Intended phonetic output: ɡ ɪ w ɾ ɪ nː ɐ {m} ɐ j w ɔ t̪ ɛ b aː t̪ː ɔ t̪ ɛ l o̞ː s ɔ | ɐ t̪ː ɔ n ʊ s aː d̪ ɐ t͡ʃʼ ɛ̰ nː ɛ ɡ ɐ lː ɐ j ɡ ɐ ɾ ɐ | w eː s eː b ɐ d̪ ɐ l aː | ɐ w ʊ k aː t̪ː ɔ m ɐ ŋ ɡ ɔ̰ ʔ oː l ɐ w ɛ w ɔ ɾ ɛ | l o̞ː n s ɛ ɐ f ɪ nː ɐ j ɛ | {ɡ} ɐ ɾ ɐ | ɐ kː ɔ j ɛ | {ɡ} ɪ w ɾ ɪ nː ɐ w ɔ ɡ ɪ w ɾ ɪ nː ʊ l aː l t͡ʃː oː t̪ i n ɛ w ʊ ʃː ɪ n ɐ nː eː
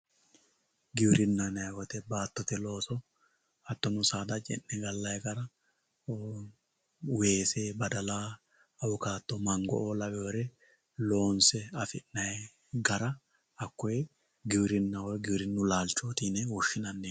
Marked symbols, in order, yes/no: no, yes, yes

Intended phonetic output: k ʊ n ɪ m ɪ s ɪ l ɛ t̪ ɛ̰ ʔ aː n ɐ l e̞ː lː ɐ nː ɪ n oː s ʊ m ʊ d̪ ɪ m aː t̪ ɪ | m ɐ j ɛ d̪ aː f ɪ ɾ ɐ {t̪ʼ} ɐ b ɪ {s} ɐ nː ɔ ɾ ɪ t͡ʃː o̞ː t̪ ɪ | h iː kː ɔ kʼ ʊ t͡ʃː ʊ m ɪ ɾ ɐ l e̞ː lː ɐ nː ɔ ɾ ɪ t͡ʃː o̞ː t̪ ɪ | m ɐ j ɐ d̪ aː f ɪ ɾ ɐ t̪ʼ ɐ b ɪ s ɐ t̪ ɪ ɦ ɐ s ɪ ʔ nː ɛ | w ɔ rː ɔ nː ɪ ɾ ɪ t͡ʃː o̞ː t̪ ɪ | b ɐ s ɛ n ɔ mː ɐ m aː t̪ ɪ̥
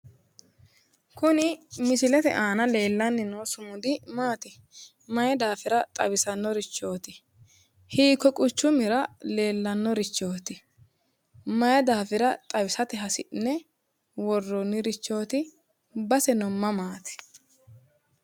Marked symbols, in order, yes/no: yes, yes

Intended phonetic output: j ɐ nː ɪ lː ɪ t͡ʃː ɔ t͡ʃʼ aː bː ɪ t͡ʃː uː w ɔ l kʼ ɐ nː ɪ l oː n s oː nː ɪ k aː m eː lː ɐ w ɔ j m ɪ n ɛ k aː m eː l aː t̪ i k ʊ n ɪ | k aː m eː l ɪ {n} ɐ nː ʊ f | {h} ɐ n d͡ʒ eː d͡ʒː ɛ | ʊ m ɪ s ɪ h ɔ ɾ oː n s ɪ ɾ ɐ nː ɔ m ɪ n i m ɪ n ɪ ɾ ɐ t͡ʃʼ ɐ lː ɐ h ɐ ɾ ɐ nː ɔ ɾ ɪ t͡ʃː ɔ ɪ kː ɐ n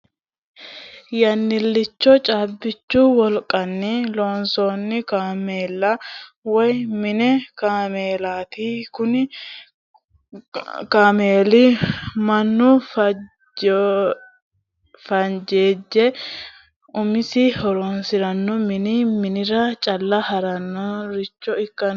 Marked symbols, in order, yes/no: no, no

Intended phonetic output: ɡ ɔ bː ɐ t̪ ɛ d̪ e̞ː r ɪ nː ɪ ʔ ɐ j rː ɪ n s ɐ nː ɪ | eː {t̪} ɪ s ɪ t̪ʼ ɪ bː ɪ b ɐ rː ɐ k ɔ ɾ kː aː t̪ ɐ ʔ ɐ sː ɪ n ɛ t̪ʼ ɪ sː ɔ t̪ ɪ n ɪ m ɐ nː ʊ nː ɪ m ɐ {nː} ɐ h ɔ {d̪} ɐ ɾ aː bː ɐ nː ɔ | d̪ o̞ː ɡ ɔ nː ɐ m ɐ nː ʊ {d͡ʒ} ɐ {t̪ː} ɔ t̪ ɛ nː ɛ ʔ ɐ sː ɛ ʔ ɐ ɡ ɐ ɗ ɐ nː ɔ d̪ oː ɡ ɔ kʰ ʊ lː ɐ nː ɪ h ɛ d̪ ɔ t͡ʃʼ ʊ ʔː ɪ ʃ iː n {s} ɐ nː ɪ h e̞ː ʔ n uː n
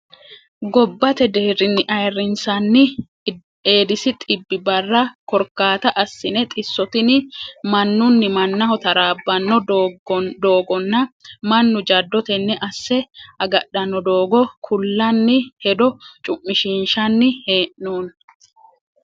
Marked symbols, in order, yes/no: no, yes, no, yes, no, no

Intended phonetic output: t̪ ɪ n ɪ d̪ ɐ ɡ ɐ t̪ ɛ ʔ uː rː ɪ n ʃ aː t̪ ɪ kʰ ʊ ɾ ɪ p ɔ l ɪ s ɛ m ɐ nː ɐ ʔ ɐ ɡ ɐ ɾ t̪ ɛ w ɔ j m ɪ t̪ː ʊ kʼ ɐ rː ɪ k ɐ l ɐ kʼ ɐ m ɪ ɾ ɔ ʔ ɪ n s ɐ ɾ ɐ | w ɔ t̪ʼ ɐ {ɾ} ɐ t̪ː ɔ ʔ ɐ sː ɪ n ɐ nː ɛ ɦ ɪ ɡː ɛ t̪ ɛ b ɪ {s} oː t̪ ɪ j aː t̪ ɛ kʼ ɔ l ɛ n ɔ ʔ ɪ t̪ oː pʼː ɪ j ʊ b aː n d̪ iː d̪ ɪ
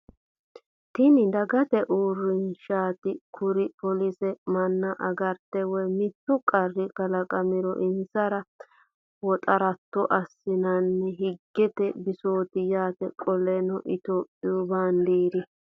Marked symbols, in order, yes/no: yes, yes

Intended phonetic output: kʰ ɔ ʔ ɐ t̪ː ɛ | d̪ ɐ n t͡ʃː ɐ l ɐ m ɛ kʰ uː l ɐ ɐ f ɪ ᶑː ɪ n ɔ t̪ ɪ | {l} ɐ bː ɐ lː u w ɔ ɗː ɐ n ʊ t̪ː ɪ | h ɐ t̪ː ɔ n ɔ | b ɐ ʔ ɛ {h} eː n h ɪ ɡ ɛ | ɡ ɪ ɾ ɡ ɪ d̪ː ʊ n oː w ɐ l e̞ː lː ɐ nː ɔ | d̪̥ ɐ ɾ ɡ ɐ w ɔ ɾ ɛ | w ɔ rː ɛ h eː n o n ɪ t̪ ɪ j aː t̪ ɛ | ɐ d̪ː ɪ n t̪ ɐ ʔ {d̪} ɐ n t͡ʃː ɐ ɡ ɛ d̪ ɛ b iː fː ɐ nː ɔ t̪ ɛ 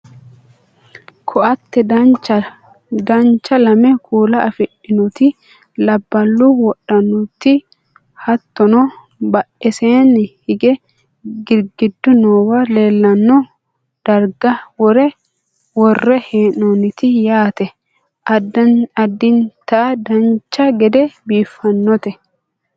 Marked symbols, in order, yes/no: yes, no, yes

